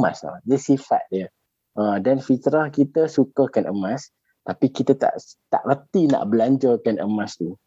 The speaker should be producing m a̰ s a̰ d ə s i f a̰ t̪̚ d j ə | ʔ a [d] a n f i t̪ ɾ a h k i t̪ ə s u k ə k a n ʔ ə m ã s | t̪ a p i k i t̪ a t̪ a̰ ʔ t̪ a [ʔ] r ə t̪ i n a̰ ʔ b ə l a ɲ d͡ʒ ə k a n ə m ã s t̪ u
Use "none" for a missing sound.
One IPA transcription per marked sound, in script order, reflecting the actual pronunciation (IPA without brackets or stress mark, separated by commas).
d, ʔ